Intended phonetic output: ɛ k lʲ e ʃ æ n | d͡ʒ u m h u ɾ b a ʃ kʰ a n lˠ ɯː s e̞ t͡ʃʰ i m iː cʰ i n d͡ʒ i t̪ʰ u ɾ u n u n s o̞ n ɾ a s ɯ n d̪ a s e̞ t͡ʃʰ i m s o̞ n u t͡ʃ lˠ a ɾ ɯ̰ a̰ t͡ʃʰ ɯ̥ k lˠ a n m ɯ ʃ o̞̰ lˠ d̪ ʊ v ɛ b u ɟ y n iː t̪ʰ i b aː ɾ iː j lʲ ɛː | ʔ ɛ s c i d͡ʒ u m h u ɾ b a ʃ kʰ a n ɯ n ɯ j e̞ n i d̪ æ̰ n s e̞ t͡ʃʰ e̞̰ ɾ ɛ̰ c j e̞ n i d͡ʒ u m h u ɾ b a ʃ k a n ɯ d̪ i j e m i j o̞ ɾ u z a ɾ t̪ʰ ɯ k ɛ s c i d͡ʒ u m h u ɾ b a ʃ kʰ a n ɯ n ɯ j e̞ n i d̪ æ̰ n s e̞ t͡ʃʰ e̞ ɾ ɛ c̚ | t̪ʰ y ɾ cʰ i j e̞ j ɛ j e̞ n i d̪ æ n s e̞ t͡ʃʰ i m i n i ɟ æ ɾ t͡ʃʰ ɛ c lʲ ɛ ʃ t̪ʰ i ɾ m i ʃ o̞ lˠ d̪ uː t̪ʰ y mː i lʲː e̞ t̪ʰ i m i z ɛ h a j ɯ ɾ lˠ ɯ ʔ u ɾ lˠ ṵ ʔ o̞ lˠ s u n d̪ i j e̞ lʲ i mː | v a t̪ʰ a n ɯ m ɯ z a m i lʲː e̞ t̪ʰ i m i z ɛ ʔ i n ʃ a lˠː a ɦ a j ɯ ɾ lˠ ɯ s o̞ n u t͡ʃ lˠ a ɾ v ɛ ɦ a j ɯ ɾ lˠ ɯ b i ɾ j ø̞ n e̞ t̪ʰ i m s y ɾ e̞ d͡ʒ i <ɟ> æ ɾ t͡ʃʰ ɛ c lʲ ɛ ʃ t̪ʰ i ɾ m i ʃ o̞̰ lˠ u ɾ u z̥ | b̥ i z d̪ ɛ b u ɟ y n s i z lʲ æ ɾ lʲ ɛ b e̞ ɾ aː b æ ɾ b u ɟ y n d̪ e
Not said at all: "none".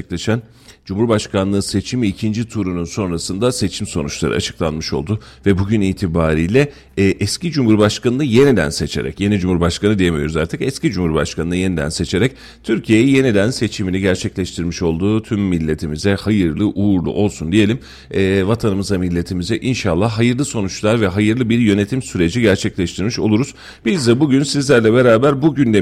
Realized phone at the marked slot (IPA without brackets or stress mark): ɟ